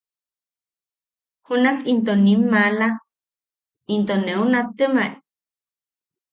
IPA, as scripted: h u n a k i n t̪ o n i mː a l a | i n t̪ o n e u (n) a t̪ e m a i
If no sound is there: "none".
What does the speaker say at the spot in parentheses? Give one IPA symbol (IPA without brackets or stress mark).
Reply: n